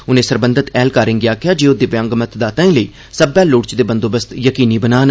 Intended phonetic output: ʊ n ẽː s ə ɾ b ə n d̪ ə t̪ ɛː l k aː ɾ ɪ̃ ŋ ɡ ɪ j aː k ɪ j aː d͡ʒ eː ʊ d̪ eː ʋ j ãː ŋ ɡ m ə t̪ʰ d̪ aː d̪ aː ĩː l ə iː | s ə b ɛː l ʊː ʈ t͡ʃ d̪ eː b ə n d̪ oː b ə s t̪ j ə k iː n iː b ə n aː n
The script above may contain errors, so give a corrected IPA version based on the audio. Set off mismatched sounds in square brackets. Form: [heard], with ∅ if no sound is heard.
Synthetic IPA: ʊ n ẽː s ə ɾ b ə n d̪ ə t̪ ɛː l k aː ɾ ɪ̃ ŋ ɡ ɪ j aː k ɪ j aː d͡ʒ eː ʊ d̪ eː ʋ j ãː ŋ ɡ m ə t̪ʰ d̪ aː [t̪] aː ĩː l ə iː | s ə b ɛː l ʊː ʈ t͡ʃ d̪ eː b ə n d̪ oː b ə s t̪ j ə k iː n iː b ə n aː n